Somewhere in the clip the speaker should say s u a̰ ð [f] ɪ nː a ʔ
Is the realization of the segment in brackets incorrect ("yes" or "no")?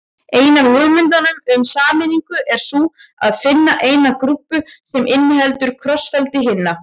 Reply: no